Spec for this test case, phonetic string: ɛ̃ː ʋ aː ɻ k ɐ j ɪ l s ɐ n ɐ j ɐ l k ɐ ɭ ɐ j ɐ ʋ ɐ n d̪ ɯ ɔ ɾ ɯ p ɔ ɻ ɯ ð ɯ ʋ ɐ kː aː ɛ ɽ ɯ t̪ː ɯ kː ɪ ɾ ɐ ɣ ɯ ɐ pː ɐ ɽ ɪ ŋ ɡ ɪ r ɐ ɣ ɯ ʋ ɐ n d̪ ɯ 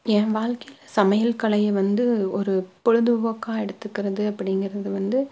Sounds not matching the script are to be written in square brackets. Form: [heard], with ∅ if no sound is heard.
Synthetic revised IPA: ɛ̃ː ʋ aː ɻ k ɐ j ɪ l s ɐ [m] ɐ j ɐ l k ɐ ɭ ɐ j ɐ ʋ ɐ n d̪ ɯ ɔ ɾ ɯ p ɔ ɻ ɯ ð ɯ ʋ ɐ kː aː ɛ ɽ ɯ t̪ː ɯ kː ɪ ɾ ɐ [ð] ɯ ɐ pː ɐ ɽ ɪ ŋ ɡ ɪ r ɐ [ð] ɯ ʋ ɐ n d̪ ɯ